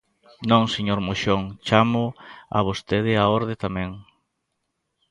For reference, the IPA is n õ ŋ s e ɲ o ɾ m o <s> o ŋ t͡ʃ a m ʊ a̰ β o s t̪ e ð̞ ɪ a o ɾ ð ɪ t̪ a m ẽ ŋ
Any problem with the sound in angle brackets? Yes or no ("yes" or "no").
yes